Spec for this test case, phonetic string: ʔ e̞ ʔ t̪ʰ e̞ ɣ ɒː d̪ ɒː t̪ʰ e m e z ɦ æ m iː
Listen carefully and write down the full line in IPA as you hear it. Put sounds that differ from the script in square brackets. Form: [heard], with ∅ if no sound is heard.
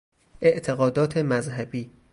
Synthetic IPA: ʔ e̞ ʔ t̪ʰ e̞ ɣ ɒː d̪ ɒː t̪ʰ e m [æ] z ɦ æ [b] iː